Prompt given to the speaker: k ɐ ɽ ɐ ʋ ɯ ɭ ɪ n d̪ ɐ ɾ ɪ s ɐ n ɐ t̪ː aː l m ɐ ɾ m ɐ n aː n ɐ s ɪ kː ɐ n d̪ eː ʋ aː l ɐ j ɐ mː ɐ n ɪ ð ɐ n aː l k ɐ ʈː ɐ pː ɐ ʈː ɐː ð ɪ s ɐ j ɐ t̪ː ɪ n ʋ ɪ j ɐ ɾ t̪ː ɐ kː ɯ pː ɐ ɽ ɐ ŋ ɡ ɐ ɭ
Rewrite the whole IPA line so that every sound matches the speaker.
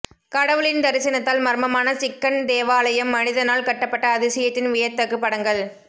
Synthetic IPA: k ɐ ɽ ɐ ʋ ɯ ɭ ɪ n d̪ ɐ ɾ ɪ s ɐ n ɐ t̪ː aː l m ɐ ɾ m ɐ m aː n ɐ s ɪ kː ɐ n d̪ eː ʋ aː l ɐ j ɐ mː ɐ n ɪ ð ɐ n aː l k ɐ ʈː ɐ pː ɐ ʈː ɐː ð ɪ s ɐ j ɐ t̪ː ɪ n ʋ ɪ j ɐ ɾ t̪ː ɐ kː ɯ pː ɐ ɽ ɐ ŋ ɡ ɐ ɭ

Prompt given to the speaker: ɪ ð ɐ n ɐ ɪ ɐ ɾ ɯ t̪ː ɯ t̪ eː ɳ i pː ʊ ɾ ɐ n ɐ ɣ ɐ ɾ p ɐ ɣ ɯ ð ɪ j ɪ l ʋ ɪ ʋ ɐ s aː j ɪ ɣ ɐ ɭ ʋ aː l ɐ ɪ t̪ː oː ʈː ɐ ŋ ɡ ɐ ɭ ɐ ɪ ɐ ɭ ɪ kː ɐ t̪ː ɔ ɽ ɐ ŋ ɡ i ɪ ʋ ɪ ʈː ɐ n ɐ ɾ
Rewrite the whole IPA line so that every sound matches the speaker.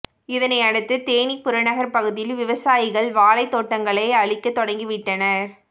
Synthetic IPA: ɪ ð ɐ n ɐ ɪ ɐ ɽ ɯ t̪ː ɯ t̪ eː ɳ i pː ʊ ɾ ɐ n ɐ ɣ ɐ ɾ p ɐ ɣ ɯ ð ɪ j ɪ l ʋ ɪ ʋ ɐ s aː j ɪ ɣ ɐ ɭ ʋ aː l ɐ ɪ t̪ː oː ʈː ɐ ŋ ɡ ɐ ɭ ɐ ɪ ɐ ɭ ɪ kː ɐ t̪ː ɔ ɽ ɐ ŋ ɡ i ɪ ʋ ɪ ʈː ɐ n ɐ ɾ

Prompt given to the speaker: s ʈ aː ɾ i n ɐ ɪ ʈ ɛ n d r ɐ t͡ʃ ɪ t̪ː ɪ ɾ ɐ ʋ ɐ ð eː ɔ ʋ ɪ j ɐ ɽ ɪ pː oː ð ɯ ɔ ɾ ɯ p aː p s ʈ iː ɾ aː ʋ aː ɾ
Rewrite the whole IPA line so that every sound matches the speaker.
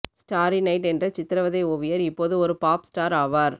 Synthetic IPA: s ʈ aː ɾ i n ɐ ɪ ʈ ɛ n d r ɐ t͡ʃ ɪ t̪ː ɪ ɾ ɐ ʋ ɐ ð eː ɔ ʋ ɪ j ɐ ɾ ɪ pː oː ð ɯ ɔ ɾ ɯ p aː p s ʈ aː ɾ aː ʋ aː ɾ

